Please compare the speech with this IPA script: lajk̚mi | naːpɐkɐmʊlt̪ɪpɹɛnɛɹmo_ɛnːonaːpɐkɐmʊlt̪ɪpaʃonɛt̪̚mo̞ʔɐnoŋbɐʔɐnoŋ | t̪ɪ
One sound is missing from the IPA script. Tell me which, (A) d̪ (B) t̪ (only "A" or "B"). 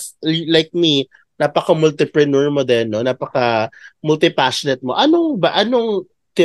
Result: A